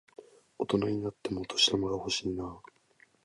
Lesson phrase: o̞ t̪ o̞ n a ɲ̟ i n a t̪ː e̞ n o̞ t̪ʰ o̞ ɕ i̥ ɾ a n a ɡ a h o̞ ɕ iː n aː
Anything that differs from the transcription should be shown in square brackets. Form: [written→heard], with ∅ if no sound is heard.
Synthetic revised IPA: o̞ t̪ o̞ n a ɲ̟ i n a t̪ː e̞ [n→m] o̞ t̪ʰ o̞ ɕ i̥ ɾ a [n→m] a ɡ a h o̞ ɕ iː n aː